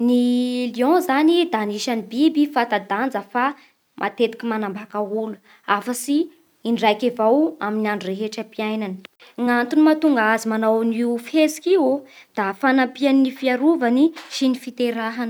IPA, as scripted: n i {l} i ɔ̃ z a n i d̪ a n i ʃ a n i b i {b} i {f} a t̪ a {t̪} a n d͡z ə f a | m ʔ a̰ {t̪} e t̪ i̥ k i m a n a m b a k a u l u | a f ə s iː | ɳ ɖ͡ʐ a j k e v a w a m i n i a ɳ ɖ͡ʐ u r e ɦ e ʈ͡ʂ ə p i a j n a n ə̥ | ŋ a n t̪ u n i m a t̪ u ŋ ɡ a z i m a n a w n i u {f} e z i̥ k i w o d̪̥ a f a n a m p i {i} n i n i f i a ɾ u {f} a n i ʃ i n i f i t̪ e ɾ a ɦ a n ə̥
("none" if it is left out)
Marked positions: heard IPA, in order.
l, b, f, d̪, t̪, f, a, v

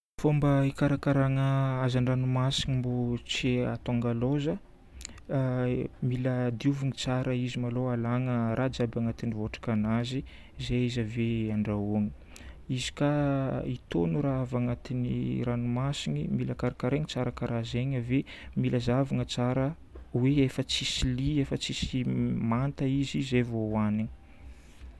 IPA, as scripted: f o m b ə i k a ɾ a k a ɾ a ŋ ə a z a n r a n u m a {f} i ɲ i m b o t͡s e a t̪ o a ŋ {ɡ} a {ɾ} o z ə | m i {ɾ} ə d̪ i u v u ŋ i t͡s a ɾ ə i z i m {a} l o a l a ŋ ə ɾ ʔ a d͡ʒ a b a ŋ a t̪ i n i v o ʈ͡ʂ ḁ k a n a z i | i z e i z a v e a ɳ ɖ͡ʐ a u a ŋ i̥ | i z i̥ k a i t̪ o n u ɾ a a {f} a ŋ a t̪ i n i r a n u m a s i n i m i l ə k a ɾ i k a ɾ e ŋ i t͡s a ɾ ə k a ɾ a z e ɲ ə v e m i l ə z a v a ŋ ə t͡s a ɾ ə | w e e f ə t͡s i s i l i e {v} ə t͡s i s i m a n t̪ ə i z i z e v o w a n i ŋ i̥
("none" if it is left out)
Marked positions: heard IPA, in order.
s, ɡ, l, l, a, v, f

